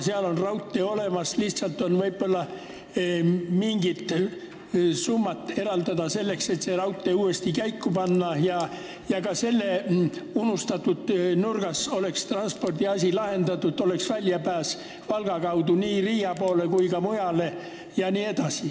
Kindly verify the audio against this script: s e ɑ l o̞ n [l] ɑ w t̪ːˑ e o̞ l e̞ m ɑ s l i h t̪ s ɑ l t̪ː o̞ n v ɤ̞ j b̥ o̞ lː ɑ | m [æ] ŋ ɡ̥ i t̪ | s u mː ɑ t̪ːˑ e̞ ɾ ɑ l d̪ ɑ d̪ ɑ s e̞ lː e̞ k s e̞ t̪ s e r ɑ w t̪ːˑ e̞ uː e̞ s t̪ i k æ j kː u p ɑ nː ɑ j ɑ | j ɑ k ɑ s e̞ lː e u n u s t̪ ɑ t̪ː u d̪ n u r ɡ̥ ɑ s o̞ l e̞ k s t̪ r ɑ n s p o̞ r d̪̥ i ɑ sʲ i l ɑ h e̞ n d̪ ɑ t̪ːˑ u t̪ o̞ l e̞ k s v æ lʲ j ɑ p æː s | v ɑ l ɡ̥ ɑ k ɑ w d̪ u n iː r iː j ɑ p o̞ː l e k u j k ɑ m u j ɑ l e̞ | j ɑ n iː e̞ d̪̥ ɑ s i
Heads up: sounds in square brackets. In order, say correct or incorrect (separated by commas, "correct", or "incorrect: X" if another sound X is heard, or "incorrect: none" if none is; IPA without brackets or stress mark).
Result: incorrect: r, incorrect: i